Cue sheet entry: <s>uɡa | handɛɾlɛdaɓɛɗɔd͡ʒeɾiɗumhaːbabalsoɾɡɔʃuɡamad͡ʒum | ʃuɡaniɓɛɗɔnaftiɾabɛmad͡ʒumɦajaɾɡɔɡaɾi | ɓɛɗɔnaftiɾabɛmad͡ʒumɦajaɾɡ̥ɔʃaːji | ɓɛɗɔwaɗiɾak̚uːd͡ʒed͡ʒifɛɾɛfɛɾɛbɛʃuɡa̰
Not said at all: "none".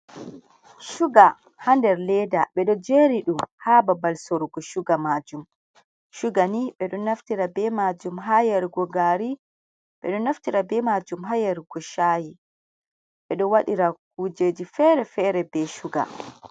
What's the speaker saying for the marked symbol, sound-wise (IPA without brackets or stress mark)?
ʃ